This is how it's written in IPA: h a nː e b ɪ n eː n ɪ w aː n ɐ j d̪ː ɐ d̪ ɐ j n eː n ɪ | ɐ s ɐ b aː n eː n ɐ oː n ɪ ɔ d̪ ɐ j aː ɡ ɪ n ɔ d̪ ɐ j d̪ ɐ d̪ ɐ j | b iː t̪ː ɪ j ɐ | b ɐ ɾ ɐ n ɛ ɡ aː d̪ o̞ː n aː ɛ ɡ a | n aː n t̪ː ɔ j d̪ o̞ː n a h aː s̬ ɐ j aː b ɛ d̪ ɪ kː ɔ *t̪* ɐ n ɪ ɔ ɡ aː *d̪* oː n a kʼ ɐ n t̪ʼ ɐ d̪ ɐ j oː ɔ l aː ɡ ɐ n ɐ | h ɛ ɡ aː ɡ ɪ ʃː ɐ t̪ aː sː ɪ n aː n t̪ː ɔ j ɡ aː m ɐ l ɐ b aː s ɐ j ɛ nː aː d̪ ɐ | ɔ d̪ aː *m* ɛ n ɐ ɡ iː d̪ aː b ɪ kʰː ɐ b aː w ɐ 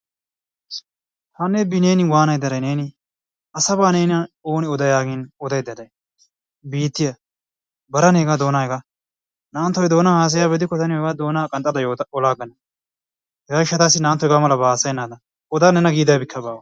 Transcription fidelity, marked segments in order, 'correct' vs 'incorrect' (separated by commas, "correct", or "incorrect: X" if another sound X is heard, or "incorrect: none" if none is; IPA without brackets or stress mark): correct, correct, incorrect: n